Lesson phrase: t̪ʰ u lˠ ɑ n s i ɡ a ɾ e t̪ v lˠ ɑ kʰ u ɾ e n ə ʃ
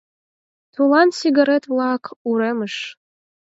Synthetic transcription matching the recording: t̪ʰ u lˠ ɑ n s i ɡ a ɾ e t̪ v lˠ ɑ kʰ u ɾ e m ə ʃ

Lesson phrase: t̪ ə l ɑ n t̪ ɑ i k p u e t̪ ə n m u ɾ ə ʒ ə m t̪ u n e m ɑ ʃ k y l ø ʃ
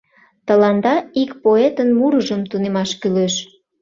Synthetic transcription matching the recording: t̪ ə l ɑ n d̪ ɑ i k p o e t̪ ə n m u ɾ ə ʒ ə m t̪ u n e m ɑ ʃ k y l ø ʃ

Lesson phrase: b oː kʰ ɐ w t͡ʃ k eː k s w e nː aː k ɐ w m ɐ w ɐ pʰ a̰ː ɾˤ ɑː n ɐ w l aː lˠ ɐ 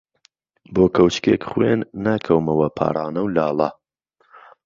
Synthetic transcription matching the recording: b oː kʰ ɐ w t͡ʃ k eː k χ w e nː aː kʰ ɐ w m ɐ w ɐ pʰ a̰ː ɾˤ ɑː n ɐ w l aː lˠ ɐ

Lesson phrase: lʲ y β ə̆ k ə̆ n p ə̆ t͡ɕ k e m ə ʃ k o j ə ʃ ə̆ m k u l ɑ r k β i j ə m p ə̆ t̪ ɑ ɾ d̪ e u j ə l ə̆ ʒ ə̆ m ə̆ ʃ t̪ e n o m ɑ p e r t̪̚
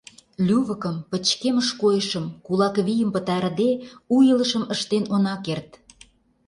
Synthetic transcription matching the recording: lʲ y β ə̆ k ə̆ m p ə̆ t͡ɕ k e m ə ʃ k o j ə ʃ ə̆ m k u l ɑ k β i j ə m p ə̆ t̪ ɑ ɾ d̪ e u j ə l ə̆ ʃ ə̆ m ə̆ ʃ t̪ e n o n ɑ k e r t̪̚

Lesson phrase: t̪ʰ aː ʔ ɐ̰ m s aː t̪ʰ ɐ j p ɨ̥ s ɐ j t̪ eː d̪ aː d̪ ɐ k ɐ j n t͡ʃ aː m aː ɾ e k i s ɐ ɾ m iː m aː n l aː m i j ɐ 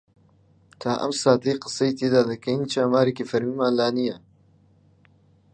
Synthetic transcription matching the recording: t̪ʰ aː ʔ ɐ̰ m s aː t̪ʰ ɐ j q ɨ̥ s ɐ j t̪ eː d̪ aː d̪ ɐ k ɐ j n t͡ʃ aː m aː ɾ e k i f ɐ ɾ m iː m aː n l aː n i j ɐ

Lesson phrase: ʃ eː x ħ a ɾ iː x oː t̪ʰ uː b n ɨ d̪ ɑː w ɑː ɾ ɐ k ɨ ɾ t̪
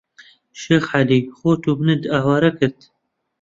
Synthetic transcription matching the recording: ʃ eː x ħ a l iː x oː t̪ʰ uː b n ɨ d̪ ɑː w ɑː ɾ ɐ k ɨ ɾ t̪

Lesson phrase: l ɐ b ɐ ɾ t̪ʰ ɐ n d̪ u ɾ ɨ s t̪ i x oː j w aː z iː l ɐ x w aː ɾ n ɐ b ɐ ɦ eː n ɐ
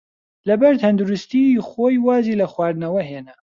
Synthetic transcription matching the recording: l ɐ b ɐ ɾ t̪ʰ ɐ n d̪ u ɾ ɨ s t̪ i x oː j w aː z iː l ɐ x w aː ɾ n ɐ w ɐ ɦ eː n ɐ

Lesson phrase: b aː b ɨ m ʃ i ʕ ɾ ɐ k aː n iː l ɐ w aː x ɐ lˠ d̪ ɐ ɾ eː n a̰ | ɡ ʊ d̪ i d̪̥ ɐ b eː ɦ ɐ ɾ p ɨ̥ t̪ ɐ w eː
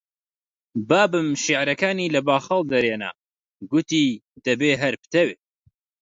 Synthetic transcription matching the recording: b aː b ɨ m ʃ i ʕ ɾ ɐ k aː n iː l ɐ b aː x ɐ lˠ d̪ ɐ ɾ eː n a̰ | ɡ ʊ t̪ i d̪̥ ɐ b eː ɦ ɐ ɾ p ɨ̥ t̪ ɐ w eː

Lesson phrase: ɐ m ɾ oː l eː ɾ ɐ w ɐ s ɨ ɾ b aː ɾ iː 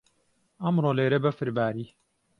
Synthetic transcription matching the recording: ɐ m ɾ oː l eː ɾ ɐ b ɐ f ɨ ɾ b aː ɾ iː

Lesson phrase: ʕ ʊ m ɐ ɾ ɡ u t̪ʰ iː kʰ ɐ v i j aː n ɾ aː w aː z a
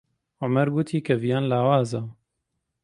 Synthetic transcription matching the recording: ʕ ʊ m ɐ ɾ ɡ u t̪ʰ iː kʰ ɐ v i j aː n l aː w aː z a

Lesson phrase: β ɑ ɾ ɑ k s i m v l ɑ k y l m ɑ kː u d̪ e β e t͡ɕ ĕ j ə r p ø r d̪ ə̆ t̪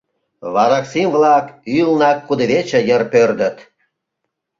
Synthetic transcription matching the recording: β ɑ ɾ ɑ k s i m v l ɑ k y l n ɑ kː u d̪ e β e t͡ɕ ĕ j ə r p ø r d̪ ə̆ t̪

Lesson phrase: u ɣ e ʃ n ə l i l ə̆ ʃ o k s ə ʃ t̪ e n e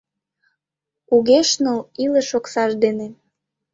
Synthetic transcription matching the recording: u ɣ e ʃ n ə l i l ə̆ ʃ o k s ɑ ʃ d̪ e n e

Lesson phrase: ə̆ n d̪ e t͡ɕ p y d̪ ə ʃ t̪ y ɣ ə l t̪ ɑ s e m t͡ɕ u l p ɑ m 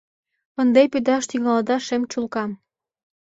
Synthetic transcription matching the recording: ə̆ n d̪ e p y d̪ ɑ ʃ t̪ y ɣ ɑ l d̪ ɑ ʃ e m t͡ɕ u l k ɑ m

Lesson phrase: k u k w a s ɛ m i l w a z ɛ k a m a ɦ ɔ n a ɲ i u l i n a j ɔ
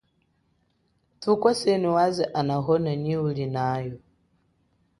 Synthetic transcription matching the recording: t u k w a s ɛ n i w a z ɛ ʔ a n a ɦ ɔ n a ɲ i u l i n a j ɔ

